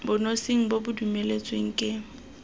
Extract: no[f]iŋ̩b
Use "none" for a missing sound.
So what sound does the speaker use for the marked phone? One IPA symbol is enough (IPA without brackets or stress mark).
s